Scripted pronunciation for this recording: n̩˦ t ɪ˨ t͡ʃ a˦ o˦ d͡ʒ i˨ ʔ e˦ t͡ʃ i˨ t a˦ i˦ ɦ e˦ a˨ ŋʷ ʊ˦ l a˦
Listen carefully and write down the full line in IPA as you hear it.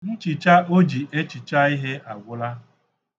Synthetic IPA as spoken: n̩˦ t͡ʃ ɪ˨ t͡ʃ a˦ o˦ d͡ʒ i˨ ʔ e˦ t͡ʃ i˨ t͡ʃ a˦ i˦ ɦ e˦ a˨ ɡʷ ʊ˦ l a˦